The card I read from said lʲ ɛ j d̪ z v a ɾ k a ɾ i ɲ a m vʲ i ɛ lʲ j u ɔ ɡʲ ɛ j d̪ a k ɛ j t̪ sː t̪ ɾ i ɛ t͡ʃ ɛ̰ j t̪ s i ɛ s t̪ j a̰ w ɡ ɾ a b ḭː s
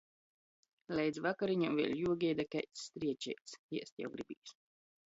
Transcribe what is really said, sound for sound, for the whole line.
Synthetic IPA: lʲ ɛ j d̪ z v a k a ɾ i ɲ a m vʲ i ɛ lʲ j u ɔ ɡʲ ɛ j d̪ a k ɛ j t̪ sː t̪ ɾ i ɛ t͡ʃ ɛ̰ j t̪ s i ɛ s t̪ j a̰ w ɡ ɾ i b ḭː s

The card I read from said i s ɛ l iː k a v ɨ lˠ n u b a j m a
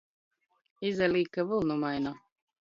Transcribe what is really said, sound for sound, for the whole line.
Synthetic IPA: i z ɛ l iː k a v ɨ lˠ n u m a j n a

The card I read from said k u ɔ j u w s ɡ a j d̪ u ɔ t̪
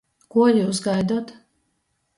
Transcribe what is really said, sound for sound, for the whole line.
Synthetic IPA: k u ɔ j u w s ɡ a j d̪ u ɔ t̪

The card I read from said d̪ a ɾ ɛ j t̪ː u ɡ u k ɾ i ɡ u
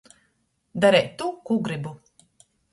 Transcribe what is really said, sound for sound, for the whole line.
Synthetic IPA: d̪ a ɾ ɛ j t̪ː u k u ɡ ɾ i b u

